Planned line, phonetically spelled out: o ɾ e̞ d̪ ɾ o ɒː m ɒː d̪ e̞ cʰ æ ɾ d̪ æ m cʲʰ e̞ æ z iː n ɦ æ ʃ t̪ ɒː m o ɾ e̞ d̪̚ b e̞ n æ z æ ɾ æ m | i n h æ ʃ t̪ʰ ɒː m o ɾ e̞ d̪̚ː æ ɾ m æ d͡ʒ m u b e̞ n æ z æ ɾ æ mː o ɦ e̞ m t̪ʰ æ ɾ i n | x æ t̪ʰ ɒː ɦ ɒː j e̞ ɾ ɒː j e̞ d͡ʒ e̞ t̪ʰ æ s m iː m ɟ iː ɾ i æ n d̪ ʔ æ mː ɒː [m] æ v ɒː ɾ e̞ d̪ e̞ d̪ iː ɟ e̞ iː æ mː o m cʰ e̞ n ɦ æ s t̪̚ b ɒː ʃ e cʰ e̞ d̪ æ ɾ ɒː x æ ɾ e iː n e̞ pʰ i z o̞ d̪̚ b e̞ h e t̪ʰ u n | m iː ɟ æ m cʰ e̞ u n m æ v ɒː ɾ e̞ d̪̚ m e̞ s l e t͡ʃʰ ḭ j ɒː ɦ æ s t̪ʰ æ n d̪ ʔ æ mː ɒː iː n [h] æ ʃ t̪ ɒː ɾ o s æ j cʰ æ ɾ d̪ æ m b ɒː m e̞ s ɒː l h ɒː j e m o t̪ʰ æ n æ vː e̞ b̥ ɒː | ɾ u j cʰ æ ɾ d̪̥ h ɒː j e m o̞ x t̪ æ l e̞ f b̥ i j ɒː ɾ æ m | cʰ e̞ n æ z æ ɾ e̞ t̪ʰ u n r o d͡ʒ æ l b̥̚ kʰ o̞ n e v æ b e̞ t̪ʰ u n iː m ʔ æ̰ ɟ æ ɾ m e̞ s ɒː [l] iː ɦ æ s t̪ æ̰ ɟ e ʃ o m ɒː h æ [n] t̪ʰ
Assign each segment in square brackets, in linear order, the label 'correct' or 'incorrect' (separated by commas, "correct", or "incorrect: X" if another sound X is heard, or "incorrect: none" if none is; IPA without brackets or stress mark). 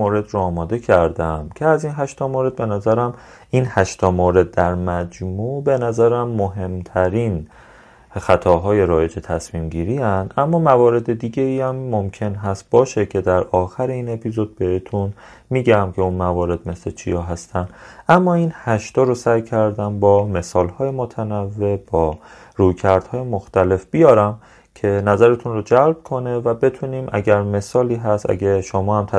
correct, correct, correct, incorrect: m